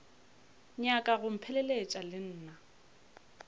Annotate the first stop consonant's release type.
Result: ejective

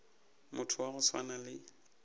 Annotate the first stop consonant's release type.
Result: aspirated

